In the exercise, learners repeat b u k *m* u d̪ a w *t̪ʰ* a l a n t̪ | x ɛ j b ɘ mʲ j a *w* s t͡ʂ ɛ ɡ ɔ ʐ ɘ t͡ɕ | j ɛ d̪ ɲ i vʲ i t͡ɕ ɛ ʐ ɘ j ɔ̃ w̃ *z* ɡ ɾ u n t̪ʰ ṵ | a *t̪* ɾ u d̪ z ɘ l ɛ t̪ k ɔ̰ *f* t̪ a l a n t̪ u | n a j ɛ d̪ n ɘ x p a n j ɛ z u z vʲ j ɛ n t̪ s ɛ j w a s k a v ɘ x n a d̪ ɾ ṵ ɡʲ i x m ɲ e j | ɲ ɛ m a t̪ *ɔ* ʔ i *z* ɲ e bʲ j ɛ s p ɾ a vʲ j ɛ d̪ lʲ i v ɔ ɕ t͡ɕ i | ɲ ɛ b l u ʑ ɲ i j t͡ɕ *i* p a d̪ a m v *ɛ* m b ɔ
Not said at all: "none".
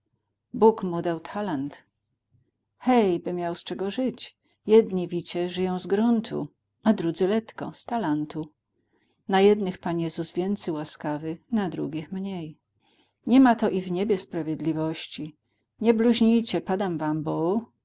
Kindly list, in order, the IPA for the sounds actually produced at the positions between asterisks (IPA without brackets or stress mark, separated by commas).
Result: m, t̪ʰ, w, z, d̪, s, ɔ, v, ɛ, a